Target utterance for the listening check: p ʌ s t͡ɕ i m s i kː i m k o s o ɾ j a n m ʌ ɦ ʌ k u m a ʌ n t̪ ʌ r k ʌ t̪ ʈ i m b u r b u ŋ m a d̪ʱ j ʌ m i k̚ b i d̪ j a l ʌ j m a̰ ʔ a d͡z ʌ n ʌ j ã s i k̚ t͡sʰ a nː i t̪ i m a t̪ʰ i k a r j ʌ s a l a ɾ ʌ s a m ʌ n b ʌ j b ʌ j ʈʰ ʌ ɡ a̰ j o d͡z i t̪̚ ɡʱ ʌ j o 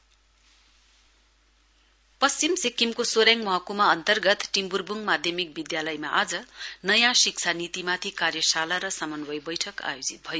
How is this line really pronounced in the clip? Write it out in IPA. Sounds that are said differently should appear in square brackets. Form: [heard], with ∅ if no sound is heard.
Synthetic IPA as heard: p ʌ s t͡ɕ i m s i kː i m k o s o ɾ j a [ŋ] m ʌ ɦ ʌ k u m a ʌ n t̪ ʌ r [ɡ] ʌ t̪ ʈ i m b u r b u ŋ m a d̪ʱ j ʌ m i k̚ b i d̪ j a l ʌ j m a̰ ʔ a d͡z ʌ n ʌ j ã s i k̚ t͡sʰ a [n] i t̪ i m a t̪ʰ i k a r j ʌ s a l a ɾ ʌ s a m ʌ n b ʌ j b ʌ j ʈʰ ʌ [k] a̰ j o d͡z i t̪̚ [bʱ] ʌ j o